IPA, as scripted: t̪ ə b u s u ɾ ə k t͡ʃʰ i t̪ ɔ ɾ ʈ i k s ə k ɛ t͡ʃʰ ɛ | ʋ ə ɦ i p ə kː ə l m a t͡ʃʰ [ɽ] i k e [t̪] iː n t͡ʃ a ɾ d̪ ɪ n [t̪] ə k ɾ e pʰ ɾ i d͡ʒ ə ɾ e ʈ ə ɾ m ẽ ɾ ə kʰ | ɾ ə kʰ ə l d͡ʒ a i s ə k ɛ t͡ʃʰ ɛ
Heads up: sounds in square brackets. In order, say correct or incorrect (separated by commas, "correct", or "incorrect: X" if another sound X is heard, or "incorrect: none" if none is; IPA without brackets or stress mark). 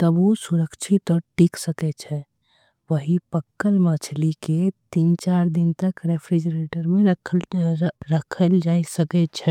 incorrect: l, correct, correct